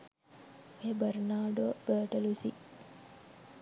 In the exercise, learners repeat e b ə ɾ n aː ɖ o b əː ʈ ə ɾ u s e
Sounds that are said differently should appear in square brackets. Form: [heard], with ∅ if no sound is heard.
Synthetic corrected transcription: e b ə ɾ n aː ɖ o b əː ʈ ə [l] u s [i]